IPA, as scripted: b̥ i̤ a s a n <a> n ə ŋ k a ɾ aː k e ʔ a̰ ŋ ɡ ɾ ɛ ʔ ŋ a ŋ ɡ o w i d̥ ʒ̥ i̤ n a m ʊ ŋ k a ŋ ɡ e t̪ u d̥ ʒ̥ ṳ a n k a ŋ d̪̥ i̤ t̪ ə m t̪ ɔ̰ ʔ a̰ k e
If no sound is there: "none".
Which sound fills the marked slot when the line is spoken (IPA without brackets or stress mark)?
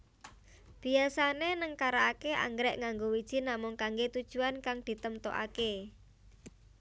e